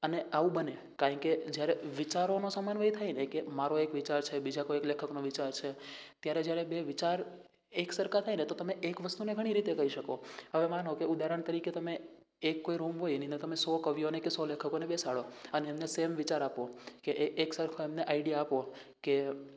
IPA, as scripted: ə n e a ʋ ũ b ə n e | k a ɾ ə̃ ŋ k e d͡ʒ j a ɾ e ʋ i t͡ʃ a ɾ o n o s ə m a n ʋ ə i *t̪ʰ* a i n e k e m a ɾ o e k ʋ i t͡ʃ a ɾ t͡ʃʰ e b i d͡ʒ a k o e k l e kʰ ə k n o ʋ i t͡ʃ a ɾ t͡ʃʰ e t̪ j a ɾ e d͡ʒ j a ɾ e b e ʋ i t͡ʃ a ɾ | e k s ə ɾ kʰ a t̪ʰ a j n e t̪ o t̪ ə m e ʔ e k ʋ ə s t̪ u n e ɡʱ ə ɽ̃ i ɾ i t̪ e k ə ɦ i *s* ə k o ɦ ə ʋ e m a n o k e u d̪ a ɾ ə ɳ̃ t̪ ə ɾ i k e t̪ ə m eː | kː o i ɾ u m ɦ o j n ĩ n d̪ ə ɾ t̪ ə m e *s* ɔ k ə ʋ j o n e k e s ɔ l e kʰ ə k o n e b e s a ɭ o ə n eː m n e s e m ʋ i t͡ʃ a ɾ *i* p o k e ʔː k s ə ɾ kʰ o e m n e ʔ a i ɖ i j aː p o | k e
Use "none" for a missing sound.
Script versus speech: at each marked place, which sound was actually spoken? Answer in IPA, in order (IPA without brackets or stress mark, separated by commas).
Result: t̪ʰ, ʃ, s, a